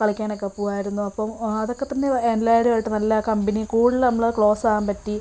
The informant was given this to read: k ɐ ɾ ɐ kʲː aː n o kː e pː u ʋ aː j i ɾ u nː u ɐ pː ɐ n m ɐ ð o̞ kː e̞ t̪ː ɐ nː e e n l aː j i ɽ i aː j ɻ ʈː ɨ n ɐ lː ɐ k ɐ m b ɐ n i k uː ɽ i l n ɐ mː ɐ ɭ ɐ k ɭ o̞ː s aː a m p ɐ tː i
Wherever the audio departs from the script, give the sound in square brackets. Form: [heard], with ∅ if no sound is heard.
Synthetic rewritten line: k ɐ [ɭ] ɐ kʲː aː n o kː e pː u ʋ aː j i ɾ u nː u ɐ pː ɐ [∅] m ɐ ð o̞ kː e̞ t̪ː ɐ nː e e n l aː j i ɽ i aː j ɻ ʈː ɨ n ɐ lː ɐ k ɐ m b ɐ n i k uː ɽ i l n ɐ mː ɐ ɭ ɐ k ɭ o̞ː s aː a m p ɐ tː i